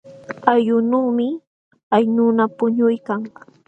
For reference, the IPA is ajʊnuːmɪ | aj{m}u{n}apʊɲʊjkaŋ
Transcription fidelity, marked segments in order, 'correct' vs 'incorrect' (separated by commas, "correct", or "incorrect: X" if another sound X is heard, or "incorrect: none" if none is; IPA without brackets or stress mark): incorrect: n, correct